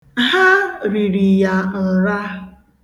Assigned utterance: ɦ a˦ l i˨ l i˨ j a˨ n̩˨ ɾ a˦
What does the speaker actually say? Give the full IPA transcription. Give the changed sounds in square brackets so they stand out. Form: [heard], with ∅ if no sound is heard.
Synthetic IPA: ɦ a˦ [ɾ] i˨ [ɾ] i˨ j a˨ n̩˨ ɾ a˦